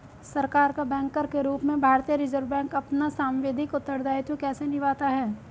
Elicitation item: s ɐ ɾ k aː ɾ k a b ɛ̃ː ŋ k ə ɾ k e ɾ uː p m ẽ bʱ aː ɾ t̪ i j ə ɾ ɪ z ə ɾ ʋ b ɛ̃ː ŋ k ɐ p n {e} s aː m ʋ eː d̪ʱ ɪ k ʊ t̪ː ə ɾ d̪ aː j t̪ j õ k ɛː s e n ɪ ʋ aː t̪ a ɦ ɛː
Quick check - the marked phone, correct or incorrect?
incorrect: a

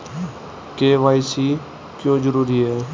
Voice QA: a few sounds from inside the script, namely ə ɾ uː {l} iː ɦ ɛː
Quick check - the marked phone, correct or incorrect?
incorrect: ɾ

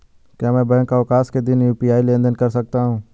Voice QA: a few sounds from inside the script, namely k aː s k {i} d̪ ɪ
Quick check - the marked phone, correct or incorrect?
incorrect: e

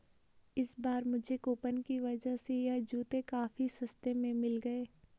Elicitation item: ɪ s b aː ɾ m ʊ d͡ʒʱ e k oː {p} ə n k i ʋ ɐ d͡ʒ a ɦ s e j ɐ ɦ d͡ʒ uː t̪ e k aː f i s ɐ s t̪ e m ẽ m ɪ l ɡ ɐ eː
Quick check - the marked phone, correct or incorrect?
correct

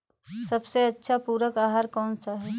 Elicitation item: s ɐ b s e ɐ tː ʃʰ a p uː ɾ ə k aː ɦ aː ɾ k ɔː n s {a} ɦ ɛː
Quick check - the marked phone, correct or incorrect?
correct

